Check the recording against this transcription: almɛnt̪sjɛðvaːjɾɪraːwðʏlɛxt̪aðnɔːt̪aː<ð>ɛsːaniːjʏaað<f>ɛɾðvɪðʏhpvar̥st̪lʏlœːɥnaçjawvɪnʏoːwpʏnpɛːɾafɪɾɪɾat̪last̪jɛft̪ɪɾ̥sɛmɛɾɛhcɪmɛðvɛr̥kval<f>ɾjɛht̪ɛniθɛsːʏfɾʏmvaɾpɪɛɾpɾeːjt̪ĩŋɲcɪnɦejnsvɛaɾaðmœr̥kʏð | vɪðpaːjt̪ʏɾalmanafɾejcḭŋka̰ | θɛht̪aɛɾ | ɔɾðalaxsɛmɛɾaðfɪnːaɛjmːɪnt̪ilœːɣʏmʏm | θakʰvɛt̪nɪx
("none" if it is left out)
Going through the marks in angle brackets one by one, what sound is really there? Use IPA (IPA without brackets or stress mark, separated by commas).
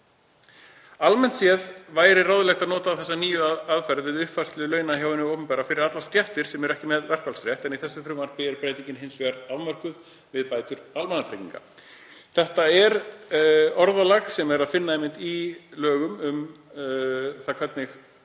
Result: θ, f, s